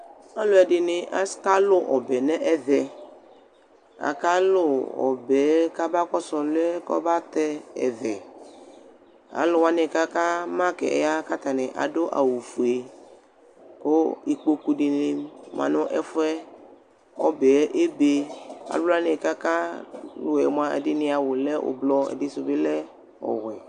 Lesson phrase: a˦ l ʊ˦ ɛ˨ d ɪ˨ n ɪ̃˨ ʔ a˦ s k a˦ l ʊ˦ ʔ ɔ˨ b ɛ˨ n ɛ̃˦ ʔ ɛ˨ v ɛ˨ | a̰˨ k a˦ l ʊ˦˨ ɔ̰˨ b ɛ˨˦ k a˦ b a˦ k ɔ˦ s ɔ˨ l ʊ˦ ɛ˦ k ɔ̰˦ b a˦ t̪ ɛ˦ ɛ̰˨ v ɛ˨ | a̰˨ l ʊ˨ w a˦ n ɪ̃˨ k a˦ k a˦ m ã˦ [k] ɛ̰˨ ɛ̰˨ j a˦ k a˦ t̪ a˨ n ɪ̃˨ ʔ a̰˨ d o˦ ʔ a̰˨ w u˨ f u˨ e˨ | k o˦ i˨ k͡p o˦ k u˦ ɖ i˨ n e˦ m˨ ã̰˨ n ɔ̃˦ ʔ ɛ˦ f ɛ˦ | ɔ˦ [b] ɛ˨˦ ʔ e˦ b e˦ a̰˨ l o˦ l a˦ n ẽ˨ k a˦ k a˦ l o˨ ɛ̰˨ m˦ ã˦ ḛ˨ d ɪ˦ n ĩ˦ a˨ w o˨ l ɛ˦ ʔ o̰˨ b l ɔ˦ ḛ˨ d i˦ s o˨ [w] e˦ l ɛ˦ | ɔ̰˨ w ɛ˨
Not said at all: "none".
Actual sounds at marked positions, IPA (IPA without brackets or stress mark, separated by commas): k, b, b